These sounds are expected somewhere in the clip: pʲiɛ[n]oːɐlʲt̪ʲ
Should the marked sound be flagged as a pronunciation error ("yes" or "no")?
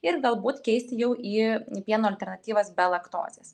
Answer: no